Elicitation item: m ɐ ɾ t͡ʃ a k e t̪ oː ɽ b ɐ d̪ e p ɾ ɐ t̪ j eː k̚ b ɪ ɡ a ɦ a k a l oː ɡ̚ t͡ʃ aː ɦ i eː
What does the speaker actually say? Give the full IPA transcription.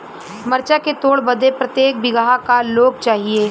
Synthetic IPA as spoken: m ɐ ɾ t͡ʃ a k e t̪ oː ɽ b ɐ d̪ e p ɾ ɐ t̪ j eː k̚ b ɪ ɡ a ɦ a k a l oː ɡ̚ t͡ʃ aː ɦ i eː